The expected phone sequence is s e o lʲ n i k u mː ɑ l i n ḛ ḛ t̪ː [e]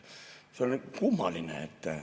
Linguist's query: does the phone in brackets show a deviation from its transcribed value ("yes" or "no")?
yes